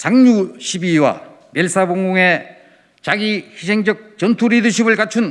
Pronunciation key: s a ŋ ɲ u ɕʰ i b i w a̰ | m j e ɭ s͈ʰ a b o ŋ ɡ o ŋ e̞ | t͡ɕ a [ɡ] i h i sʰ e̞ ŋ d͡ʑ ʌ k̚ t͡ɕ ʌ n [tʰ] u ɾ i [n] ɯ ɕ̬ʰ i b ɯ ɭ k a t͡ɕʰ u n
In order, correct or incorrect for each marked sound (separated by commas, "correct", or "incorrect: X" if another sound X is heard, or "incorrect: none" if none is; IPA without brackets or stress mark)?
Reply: correct, correct, incorrect: d